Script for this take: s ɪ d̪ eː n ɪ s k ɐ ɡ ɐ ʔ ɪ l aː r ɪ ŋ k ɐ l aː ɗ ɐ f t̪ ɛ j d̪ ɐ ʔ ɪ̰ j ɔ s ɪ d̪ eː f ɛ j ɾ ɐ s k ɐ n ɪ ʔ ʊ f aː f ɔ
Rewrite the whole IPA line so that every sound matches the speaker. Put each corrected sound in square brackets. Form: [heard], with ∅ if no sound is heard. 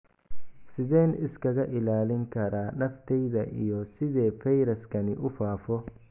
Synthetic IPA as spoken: s ɪ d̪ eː n ɪ s k ɐ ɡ ɐ ʔ ɪ l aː [l] ɪ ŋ k ɐ [ɾ] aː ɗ ɐ f t̪ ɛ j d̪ ɐ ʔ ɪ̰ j ɔ s ɪ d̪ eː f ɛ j ɾ ɐ s k ɐ n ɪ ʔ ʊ f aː f ɔ

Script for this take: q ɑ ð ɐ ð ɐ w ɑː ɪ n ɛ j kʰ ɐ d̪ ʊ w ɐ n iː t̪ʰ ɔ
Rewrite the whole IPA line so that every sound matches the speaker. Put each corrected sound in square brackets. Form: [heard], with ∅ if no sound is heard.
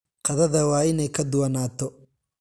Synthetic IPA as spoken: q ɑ ð ɐ ð ɐ w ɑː ɪ n ɛ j kʰ ɐ d̪ ʊ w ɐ n [aː] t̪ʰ ɔ

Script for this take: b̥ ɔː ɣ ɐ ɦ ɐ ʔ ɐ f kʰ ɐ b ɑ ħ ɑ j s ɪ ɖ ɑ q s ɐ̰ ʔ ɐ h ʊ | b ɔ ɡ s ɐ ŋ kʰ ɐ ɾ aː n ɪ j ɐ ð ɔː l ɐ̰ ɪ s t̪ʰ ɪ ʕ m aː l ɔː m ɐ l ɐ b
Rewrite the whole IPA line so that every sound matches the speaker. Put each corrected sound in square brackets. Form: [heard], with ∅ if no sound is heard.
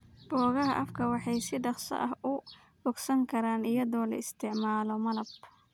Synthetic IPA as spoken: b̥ ɔː ɣ ɐ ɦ ɐ ʔ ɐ f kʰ ɐ [w] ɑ ħ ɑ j s ɪ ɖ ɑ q s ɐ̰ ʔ ɐ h ʊ | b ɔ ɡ s ɐ ŋ kʰ ɐ ɾ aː n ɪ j ɐ ð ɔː l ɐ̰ ɪ s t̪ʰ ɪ ʕ m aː l [ɔ] m ɐ l ɐ b

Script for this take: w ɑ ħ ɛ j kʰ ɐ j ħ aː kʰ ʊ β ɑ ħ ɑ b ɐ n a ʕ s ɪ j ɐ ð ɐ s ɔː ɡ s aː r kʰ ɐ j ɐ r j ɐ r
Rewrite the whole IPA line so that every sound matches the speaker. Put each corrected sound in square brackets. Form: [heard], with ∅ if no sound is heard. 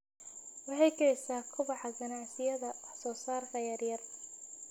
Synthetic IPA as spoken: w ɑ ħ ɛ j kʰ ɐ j [s] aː kʰ ʊ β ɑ ħ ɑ [ɡ] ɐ n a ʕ s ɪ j ɐ ð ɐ s ɔː [∅] s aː r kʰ ɐ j ɐ r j ɐ r

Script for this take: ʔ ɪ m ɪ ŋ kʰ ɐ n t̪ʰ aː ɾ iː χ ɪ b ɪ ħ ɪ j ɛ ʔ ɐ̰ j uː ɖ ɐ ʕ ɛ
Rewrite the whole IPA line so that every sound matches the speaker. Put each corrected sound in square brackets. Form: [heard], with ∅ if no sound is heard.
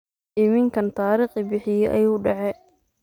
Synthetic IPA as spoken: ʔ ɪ m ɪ ŋ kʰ ɐ n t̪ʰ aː ɾ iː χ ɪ b ɪ ħ ɪ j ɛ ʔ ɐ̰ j uː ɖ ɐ ʕ ɛ

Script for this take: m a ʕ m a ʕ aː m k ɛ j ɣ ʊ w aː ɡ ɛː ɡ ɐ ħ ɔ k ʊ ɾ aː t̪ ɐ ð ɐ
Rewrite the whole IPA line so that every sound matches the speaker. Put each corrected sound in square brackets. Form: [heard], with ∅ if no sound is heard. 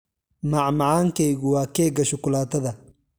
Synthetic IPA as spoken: m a ʕ m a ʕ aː [ŋ] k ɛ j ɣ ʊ w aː [k] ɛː ɡ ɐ [ʃ] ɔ k ʊ [l] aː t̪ ɐ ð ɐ

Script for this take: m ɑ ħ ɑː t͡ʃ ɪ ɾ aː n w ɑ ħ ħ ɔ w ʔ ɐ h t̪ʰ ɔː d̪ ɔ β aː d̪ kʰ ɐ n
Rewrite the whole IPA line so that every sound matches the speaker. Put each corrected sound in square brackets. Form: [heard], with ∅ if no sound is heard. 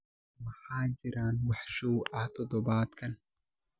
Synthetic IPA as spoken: m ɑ ħ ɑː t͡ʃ ɪ ɾ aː n w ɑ ħ [ʃ] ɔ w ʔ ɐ h t̪ʰ [ɔ] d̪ ɔ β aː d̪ kʰ ɐ n

